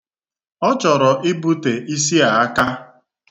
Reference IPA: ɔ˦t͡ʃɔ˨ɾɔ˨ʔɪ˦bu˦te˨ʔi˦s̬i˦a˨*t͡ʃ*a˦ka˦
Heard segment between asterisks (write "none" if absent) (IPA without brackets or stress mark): none